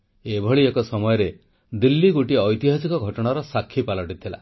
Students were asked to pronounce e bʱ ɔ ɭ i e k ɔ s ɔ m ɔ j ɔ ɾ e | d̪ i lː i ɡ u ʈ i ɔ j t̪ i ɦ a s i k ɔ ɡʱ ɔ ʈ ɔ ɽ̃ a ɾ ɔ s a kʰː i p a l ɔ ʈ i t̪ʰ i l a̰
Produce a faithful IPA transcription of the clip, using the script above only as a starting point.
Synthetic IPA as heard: e bʱ ɔ ɭ i e k ɔ s ɔ m ɔ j ɔ ɾ e | d̪ i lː i ɡ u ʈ i ɔ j t̪ i ɦ a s i k ɔ ɡʱ ɔ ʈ ɔ ɽ̃ a ɾ ɔ s a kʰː i p a l ɔ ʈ i t̪ʰ i l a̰